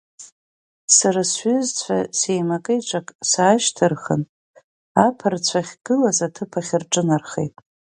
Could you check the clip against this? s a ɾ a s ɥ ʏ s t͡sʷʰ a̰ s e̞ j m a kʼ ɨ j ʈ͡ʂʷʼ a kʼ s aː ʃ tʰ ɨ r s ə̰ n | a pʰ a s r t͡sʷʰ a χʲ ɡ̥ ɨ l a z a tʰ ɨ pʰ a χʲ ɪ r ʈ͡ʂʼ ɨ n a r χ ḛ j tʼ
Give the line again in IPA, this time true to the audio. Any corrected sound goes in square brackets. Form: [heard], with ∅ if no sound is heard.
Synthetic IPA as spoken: s a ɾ a s ɥ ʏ [z] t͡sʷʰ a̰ s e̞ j m a kʼ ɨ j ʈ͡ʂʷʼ a kʼ s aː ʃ tʰ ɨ r [χ] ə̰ n | a pʰ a [∅] r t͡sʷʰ a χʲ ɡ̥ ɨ l a z a tʰ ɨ pʰ a χʲ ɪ r ʈ͡ʂʼ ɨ n a r χ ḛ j tʼ

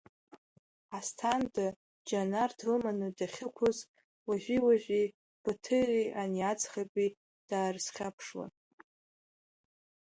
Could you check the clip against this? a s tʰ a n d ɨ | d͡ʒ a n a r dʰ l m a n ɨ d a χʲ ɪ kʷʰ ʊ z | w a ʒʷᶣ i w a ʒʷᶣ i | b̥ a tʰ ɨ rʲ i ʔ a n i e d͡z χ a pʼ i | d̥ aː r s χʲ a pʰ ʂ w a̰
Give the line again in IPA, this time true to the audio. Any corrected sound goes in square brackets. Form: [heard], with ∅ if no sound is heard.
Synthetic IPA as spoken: a s tʰ a n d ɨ | d͡ʒ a n a r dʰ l m a n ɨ d a χʲ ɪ kʷʰ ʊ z | w a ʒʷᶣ i w a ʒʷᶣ i | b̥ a tʰ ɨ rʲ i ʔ a n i [a] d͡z χ a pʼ i | d̥ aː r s χʲ a pʰ ʂ w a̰

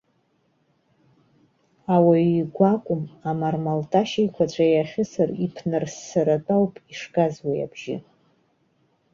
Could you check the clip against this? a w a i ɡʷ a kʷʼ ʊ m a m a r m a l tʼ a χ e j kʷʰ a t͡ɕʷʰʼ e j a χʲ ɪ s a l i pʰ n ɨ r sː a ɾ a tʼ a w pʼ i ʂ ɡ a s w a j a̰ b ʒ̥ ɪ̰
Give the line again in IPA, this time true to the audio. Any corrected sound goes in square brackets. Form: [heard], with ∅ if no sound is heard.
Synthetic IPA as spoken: a w a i ɡʷ a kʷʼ ʊ m a m a r m a l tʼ a [ʃ] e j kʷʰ a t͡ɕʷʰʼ [a] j a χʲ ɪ s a [r] i pʰ n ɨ r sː a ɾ a tʼ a w pʼ i ʂ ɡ a [z] w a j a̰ b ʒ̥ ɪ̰

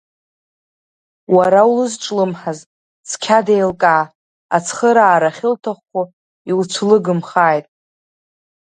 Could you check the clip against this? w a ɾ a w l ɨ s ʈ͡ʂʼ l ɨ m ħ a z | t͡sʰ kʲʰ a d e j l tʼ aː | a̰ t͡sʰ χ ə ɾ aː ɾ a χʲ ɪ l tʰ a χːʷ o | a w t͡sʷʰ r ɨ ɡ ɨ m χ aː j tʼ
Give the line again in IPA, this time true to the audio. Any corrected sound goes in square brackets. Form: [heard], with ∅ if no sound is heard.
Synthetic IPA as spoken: w a ɾ a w l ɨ [z] ʈ͡ʂʼ l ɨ m ħ a z | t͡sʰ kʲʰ a d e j l [kʼ] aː | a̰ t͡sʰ χ ə ɾ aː ɾ a χʲ ɪ l tʰ a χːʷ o | [i] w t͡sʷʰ [l] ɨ ɡ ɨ m χ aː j tʼ

